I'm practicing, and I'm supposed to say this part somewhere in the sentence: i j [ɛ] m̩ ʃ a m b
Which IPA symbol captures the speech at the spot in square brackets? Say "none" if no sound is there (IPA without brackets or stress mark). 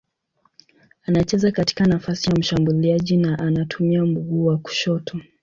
a